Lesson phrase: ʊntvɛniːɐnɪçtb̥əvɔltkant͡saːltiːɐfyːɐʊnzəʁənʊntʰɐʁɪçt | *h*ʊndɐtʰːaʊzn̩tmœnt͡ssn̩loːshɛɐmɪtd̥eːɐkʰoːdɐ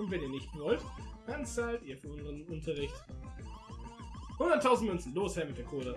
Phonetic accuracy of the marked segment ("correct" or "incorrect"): correct